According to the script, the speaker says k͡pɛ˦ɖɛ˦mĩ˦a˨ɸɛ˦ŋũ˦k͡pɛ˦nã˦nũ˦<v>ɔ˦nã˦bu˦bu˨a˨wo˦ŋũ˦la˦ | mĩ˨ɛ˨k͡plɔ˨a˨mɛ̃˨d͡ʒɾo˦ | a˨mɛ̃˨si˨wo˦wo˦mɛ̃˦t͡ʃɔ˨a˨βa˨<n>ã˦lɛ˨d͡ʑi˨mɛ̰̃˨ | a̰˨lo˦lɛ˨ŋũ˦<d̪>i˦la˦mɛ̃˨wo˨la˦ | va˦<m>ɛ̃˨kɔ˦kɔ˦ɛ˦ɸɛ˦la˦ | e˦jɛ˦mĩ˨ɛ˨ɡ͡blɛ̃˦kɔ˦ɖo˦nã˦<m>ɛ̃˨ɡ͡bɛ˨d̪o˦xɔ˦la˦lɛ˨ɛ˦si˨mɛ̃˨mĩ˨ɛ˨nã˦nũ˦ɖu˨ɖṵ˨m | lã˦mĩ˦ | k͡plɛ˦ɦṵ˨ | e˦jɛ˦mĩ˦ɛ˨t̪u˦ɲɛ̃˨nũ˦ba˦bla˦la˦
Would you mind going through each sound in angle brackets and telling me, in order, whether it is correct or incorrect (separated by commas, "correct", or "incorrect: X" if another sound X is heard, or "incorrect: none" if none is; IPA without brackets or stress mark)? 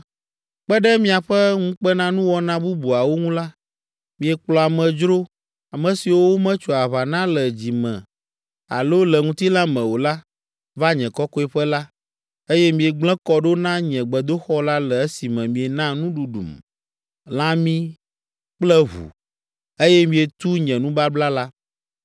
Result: incorrect: w, correct, incorrect: t̪, incorrect: ɲ, incorrect: ɲ